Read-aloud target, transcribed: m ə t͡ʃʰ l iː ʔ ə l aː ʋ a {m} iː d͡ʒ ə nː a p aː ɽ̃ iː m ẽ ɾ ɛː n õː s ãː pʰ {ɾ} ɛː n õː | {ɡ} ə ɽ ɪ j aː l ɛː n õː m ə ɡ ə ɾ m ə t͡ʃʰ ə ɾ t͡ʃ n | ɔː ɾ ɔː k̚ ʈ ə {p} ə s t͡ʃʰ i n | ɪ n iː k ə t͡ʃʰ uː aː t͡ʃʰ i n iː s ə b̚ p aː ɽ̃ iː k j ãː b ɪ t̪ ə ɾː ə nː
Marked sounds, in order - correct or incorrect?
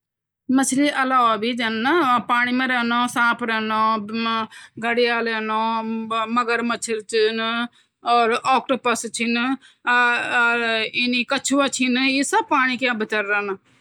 incorrect, correct, correct, correct

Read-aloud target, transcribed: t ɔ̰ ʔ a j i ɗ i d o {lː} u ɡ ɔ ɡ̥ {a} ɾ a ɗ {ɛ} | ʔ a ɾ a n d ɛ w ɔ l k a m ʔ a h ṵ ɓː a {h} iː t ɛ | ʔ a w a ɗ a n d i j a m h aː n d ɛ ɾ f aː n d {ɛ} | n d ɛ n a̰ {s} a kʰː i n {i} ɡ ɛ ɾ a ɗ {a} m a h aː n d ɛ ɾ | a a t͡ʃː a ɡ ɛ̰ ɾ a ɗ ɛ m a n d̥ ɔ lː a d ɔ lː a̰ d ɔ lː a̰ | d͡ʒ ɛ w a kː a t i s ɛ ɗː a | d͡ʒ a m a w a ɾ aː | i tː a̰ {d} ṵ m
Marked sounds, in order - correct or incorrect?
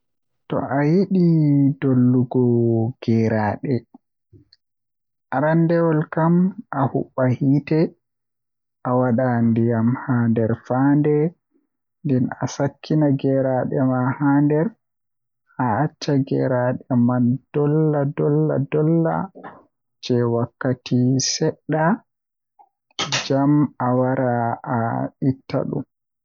correct, incorrect, correct, correct, correct, correct, incorrect, incorrect, incorrect

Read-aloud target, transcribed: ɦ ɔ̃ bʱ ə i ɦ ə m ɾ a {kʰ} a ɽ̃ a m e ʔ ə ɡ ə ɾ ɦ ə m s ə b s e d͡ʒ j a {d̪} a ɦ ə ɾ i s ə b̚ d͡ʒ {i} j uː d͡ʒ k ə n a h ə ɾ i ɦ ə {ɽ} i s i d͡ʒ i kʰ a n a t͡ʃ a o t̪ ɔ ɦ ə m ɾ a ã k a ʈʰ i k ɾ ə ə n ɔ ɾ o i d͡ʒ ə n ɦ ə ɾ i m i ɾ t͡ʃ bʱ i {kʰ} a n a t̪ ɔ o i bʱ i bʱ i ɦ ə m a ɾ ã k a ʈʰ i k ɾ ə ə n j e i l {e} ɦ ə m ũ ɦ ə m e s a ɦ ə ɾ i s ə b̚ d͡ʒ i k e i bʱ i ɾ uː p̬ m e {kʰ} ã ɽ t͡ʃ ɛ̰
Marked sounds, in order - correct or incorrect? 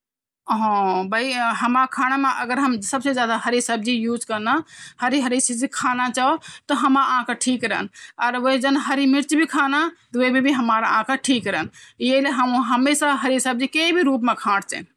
correct, correct, correct, incorrect, correct, correct, correct

